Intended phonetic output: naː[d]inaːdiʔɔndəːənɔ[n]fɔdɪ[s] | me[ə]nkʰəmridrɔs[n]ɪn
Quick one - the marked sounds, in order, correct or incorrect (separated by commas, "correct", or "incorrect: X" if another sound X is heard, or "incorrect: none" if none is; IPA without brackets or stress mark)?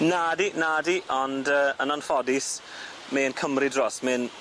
correct, correct, correct, correct, incorrect: m